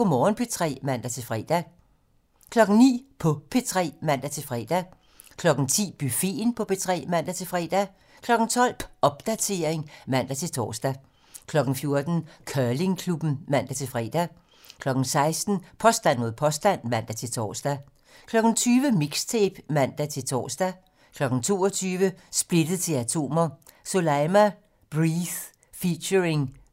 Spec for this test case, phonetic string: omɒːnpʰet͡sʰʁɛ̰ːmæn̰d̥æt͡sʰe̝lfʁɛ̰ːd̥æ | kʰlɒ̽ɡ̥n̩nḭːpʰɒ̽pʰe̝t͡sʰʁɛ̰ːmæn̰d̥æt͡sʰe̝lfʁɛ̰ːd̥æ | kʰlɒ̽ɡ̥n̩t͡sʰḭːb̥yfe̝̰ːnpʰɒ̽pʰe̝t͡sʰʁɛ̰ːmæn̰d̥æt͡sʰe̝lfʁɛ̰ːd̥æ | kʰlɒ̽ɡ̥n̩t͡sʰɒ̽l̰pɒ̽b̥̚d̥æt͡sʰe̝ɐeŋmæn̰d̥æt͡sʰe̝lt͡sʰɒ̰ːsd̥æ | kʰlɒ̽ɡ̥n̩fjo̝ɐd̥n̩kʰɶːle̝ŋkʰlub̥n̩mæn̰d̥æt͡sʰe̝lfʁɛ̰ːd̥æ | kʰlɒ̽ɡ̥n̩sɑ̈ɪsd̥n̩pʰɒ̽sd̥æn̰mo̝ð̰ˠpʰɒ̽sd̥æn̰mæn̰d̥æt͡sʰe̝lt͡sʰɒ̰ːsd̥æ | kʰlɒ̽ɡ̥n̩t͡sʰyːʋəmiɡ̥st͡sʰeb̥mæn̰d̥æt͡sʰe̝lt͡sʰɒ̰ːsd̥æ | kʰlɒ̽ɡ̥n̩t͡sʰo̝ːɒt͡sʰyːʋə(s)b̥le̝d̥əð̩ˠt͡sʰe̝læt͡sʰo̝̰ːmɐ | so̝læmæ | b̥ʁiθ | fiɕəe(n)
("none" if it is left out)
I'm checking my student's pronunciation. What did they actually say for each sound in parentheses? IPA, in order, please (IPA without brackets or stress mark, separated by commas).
s, ŋ